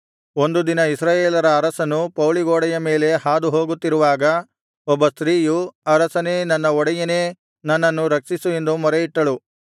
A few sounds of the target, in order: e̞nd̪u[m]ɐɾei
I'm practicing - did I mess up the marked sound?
no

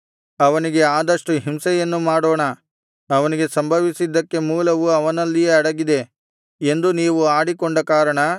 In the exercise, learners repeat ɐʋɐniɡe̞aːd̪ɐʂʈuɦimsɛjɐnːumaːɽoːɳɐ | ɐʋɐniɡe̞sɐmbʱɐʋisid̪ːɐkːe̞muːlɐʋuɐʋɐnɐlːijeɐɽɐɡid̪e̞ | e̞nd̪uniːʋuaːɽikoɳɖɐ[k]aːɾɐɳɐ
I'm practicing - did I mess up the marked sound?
no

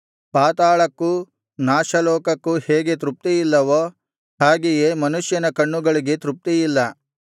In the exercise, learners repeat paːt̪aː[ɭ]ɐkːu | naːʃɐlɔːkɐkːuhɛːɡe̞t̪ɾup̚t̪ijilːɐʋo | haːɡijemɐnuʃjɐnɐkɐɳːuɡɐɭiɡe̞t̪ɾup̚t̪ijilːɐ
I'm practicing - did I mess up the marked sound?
no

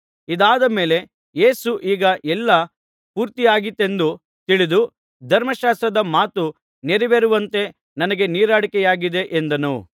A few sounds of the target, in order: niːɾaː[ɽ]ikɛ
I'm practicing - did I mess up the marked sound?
no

